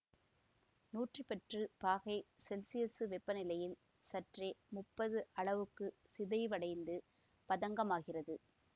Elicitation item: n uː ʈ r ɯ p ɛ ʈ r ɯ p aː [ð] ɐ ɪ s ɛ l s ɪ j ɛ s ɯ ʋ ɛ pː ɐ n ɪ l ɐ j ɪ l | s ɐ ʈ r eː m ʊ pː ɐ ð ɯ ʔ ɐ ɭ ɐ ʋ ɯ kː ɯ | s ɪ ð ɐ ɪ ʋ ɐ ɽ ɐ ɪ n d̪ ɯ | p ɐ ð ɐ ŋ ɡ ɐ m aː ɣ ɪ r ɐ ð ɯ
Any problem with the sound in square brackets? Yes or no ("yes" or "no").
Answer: yes